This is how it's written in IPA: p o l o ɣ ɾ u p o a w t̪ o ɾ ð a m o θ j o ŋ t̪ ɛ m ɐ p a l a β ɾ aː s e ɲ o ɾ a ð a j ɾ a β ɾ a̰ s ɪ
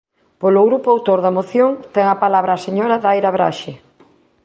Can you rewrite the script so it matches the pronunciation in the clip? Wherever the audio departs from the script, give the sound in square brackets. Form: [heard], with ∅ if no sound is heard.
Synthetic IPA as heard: p o l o ɣ ɾ u p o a w t̪ o ɾ ð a m o θ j o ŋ t̪ ɛ [ŋ] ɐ p a l a β ɾ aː s e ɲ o ɾ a ð a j ɾ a β ɾ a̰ [ʃ] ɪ